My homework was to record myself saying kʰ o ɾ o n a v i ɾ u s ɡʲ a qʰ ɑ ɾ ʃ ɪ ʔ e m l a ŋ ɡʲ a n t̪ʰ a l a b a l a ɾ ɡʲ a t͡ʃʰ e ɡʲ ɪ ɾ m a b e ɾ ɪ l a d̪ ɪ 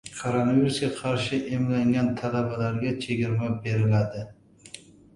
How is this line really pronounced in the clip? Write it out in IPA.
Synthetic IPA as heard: kʰ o ɾ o n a v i ɾ u s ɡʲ a qʰ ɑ ɾ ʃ ɪ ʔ e m l a ŋ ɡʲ a n t̪ʰ a l a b a l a ɾ ɡʲ a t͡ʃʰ e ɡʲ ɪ ɾ m a b e ɾ ɪ l a d̪ ɪ